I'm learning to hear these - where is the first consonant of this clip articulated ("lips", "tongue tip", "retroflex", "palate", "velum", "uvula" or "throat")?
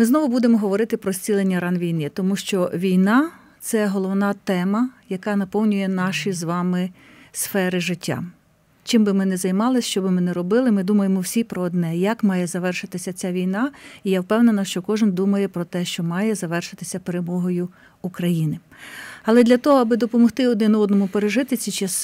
lips